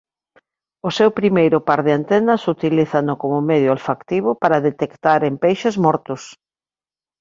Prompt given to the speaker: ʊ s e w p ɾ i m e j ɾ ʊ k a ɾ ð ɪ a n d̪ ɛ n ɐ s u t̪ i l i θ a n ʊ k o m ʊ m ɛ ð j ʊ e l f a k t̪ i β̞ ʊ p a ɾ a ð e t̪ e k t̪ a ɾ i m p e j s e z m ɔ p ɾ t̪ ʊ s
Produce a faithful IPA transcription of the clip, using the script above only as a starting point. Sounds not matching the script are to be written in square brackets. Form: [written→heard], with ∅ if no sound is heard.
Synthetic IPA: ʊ s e w p ɾ i m e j ɾ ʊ [k→p] a ɾ ð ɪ a n [d̪→t̪] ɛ n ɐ s u t̪ i l i θ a n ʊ k o m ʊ m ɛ ð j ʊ [e→a] l f a k t̪ i β̞ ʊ p a ɾ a ð e t̪ e k t̪ a ɾ [i→e] m p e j [s→ʃ] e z m ɔ [p→∅] ɾ t̪ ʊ s

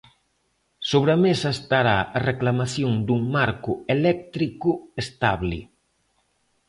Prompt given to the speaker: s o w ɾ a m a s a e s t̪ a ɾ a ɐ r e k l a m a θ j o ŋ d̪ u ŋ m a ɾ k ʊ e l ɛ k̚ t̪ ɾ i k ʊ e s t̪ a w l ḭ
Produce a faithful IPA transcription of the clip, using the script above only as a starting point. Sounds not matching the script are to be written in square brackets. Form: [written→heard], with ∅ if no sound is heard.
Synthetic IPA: s o [w→β] ɾ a m [a→e] s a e s t̪ a ɾ a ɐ r e k l a m a θ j o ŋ d̪ u ŋ m a ɾ k ʊ e l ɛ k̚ t̪ ɾ i k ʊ e s t̪ a [w→β] l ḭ

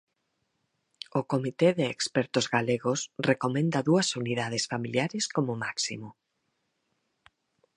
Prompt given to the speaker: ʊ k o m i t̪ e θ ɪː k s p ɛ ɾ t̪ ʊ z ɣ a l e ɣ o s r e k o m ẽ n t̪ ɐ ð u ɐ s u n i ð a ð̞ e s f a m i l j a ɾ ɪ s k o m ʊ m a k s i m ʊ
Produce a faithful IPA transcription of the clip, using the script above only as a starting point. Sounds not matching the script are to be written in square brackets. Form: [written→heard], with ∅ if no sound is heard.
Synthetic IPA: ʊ k o m i t̪ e [θ→ð] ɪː k s p ɛ ɾ t̪ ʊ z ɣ a l e ɣ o s r e k o m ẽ n [t̪→d̪] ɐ ð u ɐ s u n i ð a ð̞ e s f a m i l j a ɾ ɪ s k o m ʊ m a k s i m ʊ

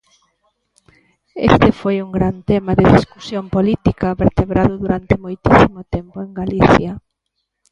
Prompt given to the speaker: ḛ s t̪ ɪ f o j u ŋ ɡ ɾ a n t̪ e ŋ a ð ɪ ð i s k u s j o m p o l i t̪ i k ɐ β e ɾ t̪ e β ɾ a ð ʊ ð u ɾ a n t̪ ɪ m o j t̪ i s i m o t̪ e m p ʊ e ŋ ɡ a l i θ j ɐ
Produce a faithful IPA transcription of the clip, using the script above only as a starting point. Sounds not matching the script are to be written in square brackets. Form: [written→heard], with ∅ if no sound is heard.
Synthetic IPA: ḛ s t̪ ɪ f o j u ŋ ɡ ɾ a n t̪ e [ŋ→m] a ð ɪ ð i s k u s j o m p o l i t̪ i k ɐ β e ɾ t̪ e β ɾ a ð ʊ ð u ɾ a n t̪ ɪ m o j t̪ i s i m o t̪ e m p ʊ e ŋ ɡ a l i θ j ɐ

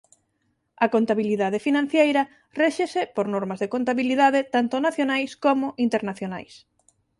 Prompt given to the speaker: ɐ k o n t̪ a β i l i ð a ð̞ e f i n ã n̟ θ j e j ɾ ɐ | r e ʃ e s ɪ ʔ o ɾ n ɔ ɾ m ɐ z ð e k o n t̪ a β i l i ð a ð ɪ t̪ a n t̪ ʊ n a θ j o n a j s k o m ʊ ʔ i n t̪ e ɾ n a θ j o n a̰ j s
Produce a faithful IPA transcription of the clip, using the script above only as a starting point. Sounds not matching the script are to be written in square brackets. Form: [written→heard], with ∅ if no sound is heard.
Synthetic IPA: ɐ k o n t̪ a β i l i ð a ð̞ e f i n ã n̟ θ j e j ɾ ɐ | r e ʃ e s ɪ [ʔ→p] o ɾ n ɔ ɾ m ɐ z ð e k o n t̪ a β i l i ð a ð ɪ t̪ a n t̪ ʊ n a θ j o n a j s k o m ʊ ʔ i n t̪ e ɾ n a θ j o n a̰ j s

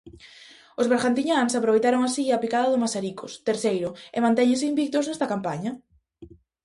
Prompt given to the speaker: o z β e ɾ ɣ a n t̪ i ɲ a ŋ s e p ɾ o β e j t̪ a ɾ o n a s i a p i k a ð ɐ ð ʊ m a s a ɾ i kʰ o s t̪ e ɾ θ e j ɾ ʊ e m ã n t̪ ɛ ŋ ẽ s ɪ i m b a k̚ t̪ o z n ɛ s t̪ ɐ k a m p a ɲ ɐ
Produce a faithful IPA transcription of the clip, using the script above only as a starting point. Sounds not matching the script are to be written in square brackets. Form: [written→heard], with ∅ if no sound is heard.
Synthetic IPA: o z β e ɾ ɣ a n t̪ i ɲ a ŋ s [e→a] p ɾ o β e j t̪ a ɾ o [n→ŋ] a s i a p i k a ð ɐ ð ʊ m a s a ɾ i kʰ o s t̪ e ɾ θ e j ɾ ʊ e m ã n t̪ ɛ [ŋ→ɲ] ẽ s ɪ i m b [a→i] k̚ t̪ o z n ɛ s t̪ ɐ k a m p a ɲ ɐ

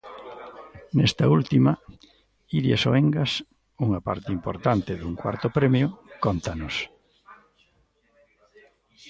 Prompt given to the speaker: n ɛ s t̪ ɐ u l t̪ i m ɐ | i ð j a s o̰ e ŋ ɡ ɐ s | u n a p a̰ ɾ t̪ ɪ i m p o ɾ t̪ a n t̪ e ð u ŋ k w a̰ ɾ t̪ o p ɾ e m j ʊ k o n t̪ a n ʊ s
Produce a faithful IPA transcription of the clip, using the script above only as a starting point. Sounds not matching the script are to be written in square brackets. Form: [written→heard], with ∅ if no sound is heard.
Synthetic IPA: n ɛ s t̪ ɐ u l t̪ i m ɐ | i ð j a s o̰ e ŋ ɡ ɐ s | u [n→ŋ] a p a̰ ɾ t̪ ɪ i m p o ɾ t̪ a n t̪ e ð u ŋ k w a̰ ɾ t̪ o p ɾ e m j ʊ k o n t̪ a n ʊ s

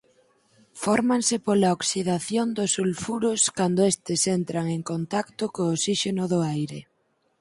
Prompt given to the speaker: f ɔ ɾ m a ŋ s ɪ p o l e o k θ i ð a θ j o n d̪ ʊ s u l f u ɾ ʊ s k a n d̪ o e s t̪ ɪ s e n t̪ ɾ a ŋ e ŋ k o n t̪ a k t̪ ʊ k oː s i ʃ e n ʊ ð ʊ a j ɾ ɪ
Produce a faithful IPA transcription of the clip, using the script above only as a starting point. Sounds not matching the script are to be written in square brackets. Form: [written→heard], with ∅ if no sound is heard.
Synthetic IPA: f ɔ ɾ m a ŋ s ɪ p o l [e→a] o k [θ→s] i ð a θ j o n d̪ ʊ s u l f u ɾ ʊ s k a n d̪ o e s t̪ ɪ s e n t̪ ɾ a ŋ e ŋ k o n t̪ a k t̪ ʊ k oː s i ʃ e n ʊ ð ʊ a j ɾ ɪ

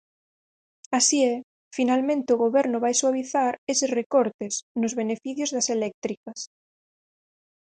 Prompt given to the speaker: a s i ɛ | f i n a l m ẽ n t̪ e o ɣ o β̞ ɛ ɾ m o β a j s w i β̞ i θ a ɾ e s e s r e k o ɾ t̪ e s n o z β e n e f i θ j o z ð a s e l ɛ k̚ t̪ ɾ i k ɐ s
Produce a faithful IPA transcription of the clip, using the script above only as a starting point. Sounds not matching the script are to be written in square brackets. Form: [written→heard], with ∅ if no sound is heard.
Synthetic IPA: a s i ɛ | f i n a l m ẽ n t̪ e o ɣ o β̞ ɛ ɾ [m→n] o β a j s w [i→a] β̞ i θ a ɾ e s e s r e k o ɾ t̪ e s n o z β e n e f i θ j o z ð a s e l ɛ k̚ t̪ ɾ i k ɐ s

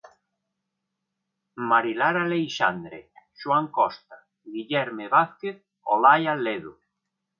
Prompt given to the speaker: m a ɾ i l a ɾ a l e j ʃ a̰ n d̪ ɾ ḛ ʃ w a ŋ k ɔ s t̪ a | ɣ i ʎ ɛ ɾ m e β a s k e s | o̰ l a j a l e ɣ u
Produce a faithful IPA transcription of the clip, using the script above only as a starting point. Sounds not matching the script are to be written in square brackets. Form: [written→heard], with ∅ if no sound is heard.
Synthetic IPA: m a ɾ i l a ɾ a l e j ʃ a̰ n d̪ ɾ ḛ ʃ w a ŋ k ɔ s t̪ a | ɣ i ʎ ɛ ɾ m e β a [s→θ] k e [s→θ] | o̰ l a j a l e [ɣ→ð] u

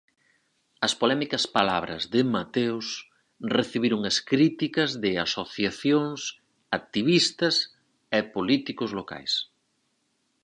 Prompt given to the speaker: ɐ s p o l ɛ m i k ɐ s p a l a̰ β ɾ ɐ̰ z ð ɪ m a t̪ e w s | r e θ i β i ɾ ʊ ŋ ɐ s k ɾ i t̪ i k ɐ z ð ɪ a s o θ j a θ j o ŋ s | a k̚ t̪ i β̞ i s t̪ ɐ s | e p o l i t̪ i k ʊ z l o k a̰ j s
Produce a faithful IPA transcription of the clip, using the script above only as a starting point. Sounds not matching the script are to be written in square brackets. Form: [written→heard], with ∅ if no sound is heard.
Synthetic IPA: ɐ s p o l ɛ m i k ɐ s p a l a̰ β ɾ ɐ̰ z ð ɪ m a t̪ e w s | r e θ i β i ɾ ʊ ŋ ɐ s k ɾ i t̪ i k ɐ z ð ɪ a s o θ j a θ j o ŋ s | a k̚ t̪ i β̞ i s t̪ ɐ s | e p o l i t̪ i k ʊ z l o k a̰ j s

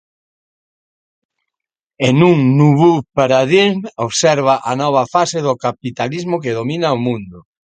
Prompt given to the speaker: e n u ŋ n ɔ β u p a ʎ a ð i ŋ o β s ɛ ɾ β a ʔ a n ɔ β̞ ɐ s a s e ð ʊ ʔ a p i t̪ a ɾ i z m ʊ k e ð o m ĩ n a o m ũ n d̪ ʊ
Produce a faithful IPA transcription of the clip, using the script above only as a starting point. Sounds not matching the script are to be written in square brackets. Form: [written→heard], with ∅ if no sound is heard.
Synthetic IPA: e n u ŋ n [ɔ→u] β u p a [ʎ→ɾ] a ð i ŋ o β s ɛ ɾ β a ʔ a n ɔ β̞ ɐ [s→f] a s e ð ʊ [ʔ→k] a p i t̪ a [ɾ→l] i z m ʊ k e ð o m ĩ n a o m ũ n d̪ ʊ

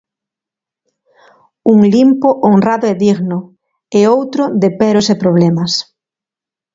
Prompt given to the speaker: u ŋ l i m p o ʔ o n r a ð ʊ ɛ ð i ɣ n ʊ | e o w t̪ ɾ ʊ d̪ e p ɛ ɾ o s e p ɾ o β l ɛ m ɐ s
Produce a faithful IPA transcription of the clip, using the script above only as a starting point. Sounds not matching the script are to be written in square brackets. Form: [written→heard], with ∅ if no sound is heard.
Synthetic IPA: u ŋ l i m p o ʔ o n r a ð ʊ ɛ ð i ɣ n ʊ | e o w t̪ ɾ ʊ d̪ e p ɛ ɾ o s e p ɾ o β l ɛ m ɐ s

